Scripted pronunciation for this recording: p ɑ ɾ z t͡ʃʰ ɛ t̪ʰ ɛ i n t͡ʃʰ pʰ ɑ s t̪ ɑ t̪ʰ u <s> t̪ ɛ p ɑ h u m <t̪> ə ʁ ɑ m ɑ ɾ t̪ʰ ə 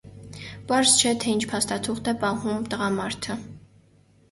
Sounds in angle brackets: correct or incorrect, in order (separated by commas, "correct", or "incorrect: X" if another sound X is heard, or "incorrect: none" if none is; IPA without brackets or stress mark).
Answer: incorrect: χ, correct